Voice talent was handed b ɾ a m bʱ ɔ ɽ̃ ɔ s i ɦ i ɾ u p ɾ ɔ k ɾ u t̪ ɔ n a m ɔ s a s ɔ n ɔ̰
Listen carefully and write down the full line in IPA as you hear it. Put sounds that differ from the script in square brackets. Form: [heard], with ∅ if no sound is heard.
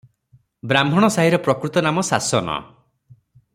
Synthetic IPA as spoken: b ɾ a m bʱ ɔ ɽ̃ ɔ s [a] ɦ i ɾ [ɔ] p ɾ ɔ k ɾ u t̪ ɔ n a m ɔ s a s ɔ n ɔ̰